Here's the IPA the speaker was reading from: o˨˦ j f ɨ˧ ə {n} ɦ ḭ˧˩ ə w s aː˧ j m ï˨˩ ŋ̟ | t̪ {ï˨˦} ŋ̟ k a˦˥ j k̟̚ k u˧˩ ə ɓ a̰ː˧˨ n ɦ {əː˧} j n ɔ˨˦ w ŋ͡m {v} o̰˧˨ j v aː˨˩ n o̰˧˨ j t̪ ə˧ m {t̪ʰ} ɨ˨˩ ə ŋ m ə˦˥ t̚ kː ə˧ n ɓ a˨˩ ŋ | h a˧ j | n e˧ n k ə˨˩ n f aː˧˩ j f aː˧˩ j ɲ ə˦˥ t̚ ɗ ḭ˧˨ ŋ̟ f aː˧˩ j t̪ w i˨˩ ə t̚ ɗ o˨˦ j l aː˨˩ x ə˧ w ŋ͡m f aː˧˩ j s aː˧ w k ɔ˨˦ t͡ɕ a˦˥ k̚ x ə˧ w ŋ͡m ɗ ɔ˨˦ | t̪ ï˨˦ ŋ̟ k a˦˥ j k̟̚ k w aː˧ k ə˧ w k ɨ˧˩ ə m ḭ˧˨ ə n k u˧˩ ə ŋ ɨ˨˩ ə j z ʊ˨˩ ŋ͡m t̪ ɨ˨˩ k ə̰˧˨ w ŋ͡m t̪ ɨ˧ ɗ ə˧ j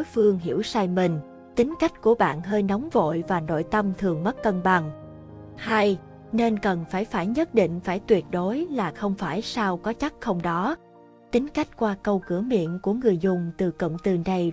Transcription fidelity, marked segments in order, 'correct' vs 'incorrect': incorrect: ŋ, correct, correct, correct, correct

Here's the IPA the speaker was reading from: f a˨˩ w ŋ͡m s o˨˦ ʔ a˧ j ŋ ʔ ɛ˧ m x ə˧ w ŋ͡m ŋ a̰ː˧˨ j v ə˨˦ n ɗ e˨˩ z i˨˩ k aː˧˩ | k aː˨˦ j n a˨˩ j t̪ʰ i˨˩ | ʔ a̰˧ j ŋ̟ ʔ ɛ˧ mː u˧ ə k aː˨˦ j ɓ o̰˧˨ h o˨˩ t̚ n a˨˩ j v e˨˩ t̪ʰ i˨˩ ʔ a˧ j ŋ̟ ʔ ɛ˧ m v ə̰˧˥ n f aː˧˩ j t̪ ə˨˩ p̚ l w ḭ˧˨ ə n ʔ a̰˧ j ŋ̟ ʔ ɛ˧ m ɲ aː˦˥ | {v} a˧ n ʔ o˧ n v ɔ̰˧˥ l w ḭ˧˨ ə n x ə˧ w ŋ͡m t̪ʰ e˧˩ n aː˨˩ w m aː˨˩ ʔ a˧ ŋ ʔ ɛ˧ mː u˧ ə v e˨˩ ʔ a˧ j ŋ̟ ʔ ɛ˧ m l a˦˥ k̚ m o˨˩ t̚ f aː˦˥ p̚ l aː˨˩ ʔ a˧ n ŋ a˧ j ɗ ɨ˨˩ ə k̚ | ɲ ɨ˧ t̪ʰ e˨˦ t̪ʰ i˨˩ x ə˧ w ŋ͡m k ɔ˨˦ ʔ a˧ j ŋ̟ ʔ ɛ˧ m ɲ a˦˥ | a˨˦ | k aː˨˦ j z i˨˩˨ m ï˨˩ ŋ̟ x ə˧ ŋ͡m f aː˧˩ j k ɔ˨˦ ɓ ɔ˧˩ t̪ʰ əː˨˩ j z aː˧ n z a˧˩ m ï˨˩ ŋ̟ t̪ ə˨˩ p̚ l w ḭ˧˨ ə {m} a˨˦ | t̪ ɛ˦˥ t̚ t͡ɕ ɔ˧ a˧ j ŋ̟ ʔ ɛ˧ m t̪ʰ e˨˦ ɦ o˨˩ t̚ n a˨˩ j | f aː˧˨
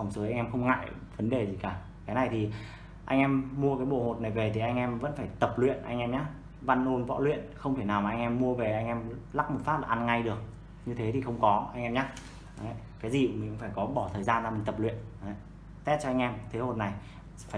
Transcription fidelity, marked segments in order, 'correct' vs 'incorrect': correct, incorrect: n

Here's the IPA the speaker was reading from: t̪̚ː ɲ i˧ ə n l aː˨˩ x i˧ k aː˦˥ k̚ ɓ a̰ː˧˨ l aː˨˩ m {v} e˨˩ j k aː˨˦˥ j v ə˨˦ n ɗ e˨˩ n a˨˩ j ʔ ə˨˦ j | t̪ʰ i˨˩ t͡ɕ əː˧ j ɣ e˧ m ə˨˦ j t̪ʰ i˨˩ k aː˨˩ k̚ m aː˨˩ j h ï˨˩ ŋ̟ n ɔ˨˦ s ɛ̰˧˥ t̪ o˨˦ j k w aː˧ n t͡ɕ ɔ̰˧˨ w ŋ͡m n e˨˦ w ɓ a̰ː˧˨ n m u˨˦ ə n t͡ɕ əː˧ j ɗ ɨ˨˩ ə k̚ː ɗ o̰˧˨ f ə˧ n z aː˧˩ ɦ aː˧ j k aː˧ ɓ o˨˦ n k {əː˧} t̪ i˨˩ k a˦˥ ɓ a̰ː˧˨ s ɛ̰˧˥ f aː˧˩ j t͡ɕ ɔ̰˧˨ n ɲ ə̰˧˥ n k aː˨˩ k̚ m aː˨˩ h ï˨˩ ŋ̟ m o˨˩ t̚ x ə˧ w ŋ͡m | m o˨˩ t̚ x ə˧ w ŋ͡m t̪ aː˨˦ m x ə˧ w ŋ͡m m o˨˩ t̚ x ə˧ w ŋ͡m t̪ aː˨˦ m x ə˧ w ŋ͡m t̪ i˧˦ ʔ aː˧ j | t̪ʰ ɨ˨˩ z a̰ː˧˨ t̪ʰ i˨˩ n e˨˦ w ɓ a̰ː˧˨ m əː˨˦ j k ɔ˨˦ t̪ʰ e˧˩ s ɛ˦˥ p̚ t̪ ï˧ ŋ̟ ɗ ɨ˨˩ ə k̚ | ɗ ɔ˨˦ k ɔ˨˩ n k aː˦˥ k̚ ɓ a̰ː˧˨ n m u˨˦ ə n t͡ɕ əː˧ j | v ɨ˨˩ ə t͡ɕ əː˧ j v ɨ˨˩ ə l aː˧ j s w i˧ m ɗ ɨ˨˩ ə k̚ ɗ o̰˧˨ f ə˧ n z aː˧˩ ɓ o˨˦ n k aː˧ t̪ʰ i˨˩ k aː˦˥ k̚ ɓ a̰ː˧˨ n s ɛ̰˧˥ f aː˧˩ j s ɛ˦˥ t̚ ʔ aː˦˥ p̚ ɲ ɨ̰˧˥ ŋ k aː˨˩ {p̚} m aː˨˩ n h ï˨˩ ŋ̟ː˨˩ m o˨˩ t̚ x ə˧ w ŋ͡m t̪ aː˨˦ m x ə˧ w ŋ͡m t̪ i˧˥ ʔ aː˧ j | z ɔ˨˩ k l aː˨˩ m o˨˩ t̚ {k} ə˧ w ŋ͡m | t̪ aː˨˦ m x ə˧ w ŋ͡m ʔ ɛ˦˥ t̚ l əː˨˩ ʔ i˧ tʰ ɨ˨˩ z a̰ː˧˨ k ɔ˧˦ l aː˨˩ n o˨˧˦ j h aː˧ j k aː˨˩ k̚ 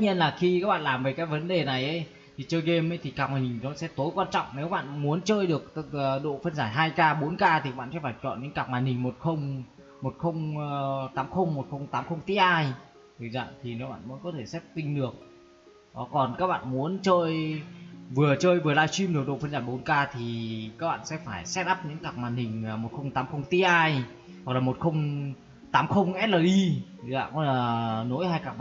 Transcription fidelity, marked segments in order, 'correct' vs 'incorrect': correct, incorrect: aː˧, incorrect: k̚, incorrect: x

